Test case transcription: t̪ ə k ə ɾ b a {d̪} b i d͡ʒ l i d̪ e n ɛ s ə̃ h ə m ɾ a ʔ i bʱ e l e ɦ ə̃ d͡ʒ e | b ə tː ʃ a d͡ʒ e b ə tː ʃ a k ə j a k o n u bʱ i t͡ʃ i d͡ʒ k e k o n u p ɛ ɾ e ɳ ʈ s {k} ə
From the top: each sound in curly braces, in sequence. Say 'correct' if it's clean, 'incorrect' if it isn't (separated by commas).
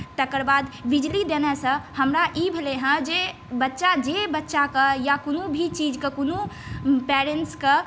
correct, correct